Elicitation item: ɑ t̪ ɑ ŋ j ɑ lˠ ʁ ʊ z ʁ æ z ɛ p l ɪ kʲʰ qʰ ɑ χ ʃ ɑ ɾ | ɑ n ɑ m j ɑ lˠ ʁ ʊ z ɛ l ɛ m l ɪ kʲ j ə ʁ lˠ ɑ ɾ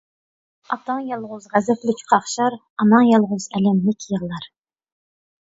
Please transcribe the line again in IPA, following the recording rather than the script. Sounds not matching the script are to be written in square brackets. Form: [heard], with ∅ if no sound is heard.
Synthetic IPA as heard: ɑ t̪ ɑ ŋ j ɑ lˠ ʁ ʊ z ʁ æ z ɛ p l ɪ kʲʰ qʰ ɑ χ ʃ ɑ ɾ | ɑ n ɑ [ŋ] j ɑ lˠ ʁ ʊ z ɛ l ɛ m l ɪ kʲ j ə ʁ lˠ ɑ ɾ